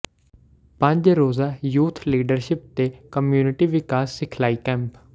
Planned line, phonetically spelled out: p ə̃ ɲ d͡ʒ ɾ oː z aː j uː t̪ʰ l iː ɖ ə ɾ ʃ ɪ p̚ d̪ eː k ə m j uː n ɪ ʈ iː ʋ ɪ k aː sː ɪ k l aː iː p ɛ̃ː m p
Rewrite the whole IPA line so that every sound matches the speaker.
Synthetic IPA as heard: p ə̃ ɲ d͡ʒ ɾ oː z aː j uː t̪ʰ l iː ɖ ə ɾ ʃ ɪ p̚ t̪ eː k ə m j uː n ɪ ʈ iː ʋ ɪ k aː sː ɪ kʰ l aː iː k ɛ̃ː m p